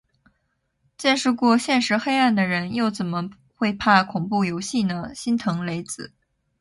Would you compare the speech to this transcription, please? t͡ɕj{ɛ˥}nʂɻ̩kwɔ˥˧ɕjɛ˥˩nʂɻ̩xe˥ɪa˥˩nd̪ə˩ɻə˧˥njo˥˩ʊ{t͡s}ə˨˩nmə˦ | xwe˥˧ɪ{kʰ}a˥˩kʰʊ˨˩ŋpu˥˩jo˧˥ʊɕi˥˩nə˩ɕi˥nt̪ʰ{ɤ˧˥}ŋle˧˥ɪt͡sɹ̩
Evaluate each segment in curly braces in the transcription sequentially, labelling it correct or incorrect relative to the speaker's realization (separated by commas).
incorrect, correct, incorrect, correct